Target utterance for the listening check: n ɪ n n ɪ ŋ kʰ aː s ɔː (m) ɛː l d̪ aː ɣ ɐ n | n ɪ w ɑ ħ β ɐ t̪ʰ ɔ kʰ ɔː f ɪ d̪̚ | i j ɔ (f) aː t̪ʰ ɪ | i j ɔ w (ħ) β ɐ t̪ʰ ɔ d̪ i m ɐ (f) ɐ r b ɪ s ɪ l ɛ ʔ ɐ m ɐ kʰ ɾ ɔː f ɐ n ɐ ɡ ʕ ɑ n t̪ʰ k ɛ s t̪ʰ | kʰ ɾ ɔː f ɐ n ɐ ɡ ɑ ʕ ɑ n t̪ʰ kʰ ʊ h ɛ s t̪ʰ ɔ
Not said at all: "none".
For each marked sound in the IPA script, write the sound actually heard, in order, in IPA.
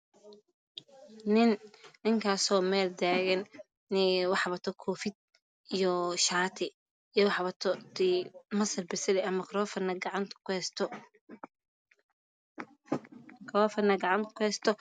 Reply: m, ʃ, ħ, s

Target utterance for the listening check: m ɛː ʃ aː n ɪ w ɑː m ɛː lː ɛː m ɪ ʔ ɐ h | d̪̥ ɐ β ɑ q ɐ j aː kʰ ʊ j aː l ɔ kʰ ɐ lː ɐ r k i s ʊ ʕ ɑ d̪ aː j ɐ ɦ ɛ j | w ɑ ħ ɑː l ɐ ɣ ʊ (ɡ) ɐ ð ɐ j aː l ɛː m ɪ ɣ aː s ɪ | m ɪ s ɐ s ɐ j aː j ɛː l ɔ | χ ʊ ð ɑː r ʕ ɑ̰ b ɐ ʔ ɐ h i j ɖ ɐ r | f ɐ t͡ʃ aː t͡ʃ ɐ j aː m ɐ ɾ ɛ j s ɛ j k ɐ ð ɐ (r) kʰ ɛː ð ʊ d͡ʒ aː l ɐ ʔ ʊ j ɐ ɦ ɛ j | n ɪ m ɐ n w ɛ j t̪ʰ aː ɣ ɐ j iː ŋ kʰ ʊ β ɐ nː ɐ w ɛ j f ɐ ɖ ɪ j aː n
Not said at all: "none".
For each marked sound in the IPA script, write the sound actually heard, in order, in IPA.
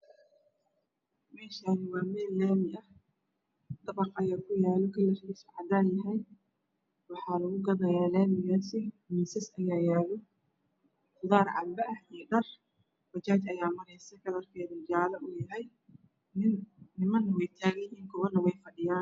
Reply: ɡ, r

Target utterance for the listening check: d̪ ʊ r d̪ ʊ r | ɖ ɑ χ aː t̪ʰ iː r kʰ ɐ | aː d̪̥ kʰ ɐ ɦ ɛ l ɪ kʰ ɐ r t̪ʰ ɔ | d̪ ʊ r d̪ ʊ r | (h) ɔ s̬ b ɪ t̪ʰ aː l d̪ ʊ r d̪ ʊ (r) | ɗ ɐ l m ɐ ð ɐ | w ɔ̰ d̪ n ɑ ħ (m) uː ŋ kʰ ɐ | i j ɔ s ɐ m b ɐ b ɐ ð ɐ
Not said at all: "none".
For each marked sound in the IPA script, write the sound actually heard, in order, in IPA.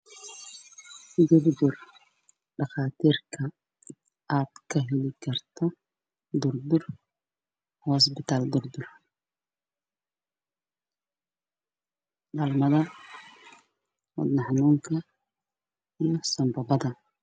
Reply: h, r, n

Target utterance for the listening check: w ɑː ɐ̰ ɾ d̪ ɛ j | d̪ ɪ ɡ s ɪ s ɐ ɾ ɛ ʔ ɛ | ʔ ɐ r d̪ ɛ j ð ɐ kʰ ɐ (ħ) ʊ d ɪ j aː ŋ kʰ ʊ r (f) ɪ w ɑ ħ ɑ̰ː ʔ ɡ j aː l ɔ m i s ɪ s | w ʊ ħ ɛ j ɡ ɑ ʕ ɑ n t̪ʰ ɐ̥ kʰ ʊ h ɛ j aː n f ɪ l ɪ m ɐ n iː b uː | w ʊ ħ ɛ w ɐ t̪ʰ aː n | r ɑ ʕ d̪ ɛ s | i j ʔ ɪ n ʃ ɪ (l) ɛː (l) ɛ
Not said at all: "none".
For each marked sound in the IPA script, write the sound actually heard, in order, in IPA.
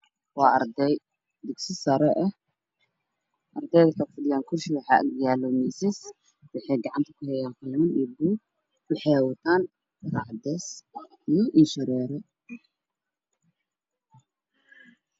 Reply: f, ʃ, ɾ, ɾ

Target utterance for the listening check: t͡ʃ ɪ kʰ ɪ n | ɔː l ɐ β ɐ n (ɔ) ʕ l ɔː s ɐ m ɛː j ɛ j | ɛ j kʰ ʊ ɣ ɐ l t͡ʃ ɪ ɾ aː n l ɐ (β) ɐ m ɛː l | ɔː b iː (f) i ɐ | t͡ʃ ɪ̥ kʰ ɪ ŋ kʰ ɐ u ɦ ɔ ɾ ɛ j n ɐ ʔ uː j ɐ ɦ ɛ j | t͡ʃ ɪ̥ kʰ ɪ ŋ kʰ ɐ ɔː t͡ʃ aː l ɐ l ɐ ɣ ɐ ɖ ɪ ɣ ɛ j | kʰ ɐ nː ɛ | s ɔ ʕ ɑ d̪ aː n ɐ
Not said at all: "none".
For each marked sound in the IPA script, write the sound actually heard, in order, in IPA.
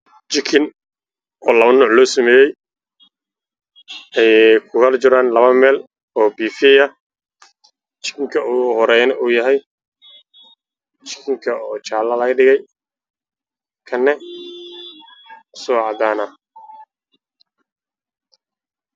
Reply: ɔː, β, f

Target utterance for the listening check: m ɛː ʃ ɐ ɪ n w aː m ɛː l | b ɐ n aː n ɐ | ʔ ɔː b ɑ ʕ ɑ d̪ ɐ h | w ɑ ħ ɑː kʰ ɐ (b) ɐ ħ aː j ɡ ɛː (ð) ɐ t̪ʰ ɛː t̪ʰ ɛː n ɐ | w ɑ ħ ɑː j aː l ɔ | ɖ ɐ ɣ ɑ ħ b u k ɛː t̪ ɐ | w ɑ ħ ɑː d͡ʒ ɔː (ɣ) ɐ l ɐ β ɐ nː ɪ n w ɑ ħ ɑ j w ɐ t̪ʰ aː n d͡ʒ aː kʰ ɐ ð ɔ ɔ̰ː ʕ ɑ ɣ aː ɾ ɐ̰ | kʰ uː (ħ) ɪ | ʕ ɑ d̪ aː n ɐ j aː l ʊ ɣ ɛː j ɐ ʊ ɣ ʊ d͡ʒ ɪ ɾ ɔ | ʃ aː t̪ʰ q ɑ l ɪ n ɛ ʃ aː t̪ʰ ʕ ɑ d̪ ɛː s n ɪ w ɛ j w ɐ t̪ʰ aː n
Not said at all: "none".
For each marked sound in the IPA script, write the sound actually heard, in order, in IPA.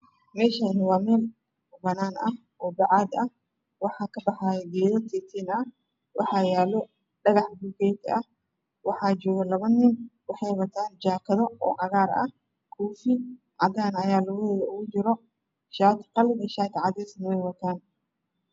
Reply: b, ð, ɣ, f

